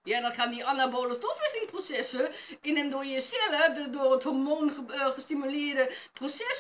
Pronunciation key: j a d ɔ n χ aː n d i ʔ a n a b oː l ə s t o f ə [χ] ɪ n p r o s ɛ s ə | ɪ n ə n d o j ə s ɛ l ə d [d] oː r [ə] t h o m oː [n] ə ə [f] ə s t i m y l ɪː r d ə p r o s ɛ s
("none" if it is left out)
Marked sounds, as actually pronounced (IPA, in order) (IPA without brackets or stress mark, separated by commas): s, d, ə, n, χ